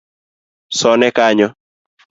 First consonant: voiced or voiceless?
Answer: voiceless